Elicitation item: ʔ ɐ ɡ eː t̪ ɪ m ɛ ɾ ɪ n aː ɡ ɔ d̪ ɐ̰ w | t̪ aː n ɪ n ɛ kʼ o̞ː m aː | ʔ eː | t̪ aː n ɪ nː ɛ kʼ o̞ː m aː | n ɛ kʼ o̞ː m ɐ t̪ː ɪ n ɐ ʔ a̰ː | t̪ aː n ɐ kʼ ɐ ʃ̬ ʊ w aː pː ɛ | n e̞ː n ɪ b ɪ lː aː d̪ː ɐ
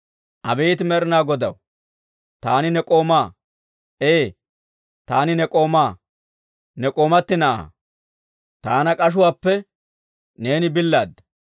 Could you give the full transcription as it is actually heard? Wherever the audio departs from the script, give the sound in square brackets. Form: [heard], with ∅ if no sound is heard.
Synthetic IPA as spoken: ʔ ɐ [b] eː t̪ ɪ m ɛ ɾ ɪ n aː ɡ ɔ d̪ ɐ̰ w | t̪ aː n ɪ n ɛ kʼ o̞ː m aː | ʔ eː | t̪ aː n ɪ [n] ɛ kʼ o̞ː m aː | n ɛ kʼ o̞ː m ɐ t̪ː ɪ n ɐ ʔ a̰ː | t̪ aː n ɐ kʼ ɐ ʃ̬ ʊ w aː pː ɛ | n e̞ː n ɪ b ɪ lː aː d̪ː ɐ